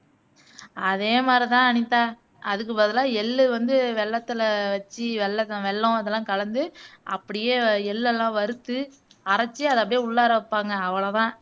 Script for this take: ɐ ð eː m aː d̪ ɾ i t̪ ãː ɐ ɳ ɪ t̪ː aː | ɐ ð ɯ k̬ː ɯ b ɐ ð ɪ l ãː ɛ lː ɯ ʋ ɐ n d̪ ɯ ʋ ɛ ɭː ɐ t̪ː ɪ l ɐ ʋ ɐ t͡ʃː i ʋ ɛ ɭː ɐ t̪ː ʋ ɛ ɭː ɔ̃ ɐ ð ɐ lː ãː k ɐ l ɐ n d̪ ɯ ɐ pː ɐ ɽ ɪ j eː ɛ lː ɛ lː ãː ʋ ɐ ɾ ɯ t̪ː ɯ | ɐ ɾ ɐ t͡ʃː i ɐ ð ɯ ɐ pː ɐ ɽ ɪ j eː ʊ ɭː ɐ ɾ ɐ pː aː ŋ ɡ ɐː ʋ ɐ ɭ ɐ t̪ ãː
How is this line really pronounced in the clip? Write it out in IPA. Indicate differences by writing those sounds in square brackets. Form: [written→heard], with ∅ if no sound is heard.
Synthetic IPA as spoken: ɐ ð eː m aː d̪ ɾ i t̪ ãː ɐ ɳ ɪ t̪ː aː | ɐ ð ɯ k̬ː ɯ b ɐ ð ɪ l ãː ɛ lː ɯ ʋ ɐ n d̪ ɯ ʋ ɛ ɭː ɐ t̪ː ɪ l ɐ ʋ ɐ t͡ʃː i ʋ ɛ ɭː ɐ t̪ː ʋ ɛ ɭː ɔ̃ ɐ ð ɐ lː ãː k ɐ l ɐ n d̪ ɯ ɐ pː ɐ ɽ ɪ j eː ɛ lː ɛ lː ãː ʋ ɐ ɾ ɯ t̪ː ɯ | ɐ ɾ ɐ t͡ʃː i ɐ ð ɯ ɐ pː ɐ ɽ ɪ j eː ʊ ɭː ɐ ɾ ɐ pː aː ŋ ɡ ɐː ʋ ɐ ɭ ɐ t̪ ãː